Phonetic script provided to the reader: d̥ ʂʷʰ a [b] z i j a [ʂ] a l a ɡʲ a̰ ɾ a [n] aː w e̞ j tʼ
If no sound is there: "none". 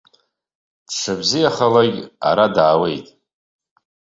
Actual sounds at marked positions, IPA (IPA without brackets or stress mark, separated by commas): b, χ, d